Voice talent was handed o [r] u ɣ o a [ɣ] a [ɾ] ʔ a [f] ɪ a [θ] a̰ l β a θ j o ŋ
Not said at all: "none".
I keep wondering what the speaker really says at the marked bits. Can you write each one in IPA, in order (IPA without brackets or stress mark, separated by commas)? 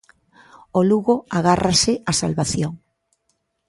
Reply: l, ɣ, r, s, s